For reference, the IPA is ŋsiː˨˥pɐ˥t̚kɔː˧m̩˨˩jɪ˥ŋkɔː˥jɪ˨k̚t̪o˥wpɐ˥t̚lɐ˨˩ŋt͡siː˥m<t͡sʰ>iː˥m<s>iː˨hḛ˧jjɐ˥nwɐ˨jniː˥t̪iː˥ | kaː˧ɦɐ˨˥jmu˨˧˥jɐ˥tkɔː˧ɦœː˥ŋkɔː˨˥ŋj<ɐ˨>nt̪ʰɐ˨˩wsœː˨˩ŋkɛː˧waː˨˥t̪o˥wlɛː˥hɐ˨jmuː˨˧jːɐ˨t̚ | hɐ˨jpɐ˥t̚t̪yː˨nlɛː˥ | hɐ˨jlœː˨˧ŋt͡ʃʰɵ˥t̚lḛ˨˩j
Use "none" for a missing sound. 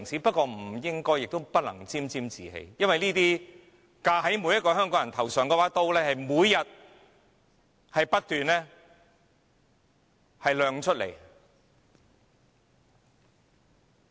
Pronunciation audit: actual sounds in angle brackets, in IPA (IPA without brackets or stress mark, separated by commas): t͡s, t͡s, ɐ˨